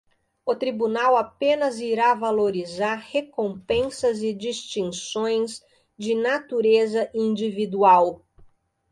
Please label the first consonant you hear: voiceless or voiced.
voiceless